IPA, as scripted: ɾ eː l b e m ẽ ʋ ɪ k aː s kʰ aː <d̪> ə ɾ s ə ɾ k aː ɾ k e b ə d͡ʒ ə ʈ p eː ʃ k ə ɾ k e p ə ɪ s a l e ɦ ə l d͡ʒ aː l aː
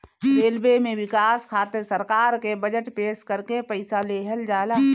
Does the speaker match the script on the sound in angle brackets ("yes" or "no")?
no